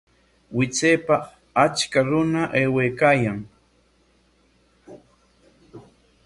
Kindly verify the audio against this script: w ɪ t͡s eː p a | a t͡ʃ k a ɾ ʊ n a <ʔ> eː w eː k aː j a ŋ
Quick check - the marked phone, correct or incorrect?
correct